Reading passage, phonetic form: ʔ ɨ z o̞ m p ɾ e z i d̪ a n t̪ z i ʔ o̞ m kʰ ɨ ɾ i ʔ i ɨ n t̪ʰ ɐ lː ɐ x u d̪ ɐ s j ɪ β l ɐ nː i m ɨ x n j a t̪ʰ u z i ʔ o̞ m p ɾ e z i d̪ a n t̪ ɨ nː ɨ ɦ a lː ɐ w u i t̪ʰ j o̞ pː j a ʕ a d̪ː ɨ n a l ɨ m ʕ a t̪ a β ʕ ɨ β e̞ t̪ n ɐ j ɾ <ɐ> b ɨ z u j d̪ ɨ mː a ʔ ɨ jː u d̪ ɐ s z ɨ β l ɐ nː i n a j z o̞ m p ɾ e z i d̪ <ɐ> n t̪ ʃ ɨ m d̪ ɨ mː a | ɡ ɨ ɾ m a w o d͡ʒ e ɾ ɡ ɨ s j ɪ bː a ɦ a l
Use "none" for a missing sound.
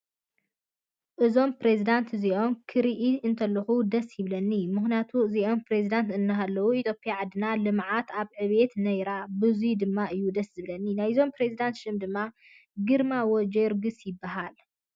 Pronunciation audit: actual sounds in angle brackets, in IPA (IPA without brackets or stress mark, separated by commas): a, a